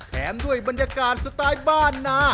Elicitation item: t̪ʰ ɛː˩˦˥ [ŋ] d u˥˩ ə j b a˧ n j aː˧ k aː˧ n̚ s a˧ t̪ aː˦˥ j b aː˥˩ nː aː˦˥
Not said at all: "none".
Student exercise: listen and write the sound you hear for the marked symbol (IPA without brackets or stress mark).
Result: m